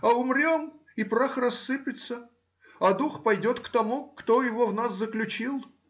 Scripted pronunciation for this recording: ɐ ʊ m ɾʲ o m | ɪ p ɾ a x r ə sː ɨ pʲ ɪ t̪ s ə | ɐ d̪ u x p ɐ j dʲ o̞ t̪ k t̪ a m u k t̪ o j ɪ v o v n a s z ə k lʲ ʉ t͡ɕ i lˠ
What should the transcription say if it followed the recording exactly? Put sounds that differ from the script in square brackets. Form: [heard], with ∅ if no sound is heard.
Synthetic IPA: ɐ ʊ m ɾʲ o m | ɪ p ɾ a x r [ɐ] sː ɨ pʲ ɪ t̪ s ə | ɐ d̪ u x p ɐ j dʲ o̞ t̪ k t̪ [ɐ] m u k t̪ o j ɪ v o v n a s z ə k lʲ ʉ t͡ɕ i lˠ